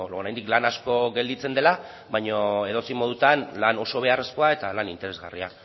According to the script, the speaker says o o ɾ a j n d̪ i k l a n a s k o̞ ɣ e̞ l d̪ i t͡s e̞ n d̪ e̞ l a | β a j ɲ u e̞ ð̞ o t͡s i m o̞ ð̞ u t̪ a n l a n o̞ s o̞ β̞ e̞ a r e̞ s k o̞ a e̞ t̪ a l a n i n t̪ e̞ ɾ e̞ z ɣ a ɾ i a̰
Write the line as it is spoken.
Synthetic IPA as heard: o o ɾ a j n d̪ i k l a n a s k o̞ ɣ e̞ l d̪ i t͡s e̞ n d̪ e̞ l a | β a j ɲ o e̞ ð̞ o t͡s i m o̞ ð̞ u t̪ a n l a n o̞ s o̞ β̞ e̞ a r e̞ s k o̞ a e̞ t̪ a l a n i n t̪ e̞ ɾ e̞ z ɣ a r i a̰